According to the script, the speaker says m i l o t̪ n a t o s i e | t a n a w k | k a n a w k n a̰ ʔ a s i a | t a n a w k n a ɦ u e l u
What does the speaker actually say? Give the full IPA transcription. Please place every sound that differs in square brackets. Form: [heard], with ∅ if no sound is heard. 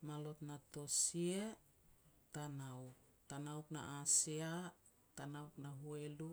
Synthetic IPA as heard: m [a] l o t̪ n a t o s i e | t a n a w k | [t] a n a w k n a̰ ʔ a s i a | t a n a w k n a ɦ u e l u

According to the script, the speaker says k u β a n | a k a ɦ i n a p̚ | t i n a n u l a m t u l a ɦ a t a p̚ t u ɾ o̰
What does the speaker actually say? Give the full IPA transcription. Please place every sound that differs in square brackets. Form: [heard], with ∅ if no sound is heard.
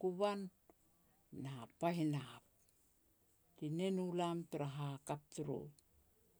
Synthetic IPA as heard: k u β a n | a [p] a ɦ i n a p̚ | t i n [e] n u l a m t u [ɾ] a ɦ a [k] a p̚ t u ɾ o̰

